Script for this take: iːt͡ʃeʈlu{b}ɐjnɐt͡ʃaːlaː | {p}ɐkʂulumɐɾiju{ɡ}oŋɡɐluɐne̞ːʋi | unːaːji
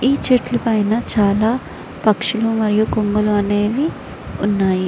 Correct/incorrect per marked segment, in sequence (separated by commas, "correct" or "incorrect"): incorrect, correct, incorrect